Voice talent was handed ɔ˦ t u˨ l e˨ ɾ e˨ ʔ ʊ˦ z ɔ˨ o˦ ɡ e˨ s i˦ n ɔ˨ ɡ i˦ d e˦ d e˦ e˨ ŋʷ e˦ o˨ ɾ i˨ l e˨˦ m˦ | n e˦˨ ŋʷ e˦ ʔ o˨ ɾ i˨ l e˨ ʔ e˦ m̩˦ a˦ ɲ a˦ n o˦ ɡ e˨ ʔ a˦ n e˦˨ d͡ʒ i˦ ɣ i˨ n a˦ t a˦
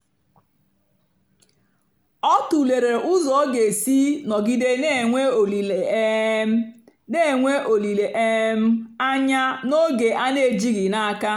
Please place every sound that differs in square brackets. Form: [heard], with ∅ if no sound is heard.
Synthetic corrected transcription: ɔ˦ t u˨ l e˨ ɾ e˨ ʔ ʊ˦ z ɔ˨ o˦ ɡ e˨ s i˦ n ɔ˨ ɡ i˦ d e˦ [n] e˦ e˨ ŋʷ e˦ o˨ [l] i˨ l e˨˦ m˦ | n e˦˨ ŋʷ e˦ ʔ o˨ [l] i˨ l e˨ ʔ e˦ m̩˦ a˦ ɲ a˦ n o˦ ɡ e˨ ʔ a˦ n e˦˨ d͡ʒ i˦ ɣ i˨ n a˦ [k] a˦